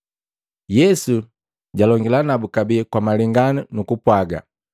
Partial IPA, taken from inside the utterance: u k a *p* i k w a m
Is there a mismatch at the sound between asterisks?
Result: yes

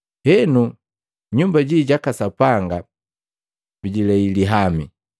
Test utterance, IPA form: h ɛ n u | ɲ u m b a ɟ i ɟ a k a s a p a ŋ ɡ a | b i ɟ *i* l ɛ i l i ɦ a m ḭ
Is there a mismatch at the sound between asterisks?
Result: no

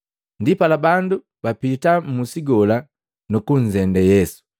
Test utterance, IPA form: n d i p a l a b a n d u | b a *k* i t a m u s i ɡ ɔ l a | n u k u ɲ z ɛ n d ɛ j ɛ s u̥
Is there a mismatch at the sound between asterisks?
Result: yes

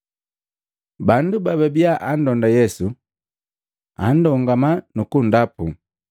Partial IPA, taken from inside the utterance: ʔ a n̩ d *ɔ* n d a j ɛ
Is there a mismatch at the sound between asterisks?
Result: no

